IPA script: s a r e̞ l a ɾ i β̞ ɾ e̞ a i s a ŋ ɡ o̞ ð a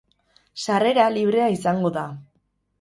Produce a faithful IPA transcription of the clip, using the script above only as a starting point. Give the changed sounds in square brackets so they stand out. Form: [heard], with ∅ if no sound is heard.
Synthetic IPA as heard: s a r e̞ [ɾ] a [l] i β̞ ɾ e̞ a i s a ŋ ɡ o̞ ð a